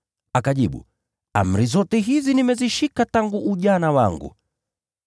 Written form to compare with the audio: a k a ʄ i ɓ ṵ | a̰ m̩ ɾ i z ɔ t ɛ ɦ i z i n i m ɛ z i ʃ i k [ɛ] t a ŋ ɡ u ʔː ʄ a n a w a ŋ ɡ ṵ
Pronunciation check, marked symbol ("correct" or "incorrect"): incorrect